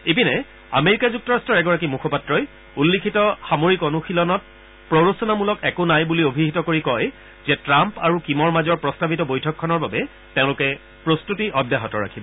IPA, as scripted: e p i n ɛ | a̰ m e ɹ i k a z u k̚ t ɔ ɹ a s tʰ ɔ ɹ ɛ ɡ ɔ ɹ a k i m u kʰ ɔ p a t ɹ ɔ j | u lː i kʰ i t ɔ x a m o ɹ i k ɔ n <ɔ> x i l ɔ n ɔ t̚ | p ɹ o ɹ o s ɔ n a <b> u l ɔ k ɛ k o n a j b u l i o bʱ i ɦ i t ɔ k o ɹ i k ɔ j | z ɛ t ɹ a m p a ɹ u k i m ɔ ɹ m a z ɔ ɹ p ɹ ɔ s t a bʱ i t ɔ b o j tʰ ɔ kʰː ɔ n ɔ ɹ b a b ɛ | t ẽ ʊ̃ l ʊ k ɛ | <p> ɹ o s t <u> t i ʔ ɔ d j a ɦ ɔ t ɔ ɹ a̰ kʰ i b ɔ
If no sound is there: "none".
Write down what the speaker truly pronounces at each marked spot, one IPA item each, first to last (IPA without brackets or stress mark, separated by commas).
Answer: u, m, p, u